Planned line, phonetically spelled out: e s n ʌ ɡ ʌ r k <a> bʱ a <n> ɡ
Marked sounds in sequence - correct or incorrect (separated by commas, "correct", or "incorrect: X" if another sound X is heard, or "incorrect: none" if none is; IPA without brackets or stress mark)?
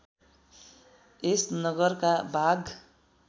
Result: correct, incorrect: none